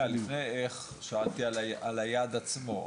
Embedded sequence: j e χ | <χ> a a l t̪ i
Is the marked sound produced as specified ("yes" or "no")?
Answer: no